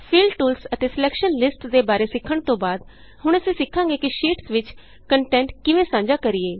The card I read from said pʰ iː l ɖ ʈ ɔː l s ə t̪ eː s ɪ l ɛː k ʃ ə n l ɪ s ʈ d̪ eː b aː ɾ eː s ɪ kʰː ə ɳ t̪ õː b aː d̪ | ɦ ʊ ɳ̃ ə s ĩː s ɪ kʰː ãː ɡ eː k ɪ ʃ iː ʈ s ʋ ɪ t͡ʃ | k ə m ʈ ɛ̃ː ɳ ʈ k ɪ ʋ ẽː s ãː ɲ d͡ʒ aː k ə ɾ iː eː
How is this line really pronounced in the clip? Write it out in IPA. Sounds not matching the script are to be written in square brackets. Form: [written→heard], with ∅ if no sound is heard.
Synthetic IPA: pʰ iː l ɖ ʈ [ɔː→uː] l s ə t̪ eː s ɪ l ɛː k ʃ ə n l ɪ s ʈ d̪ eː b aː ɾ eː s ɪ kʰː ə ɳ t̪ õː b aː d̪ | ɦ ʊ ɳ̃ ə s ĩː s ɪ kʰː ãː ɡ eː k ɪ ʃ iː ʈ s ʋ ɪ t͡ʃ | k ə [m→ɳ] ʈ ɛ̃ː ɳ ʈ k ɪ ʋ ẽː s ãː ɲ d͡ʒ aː k ə ɾ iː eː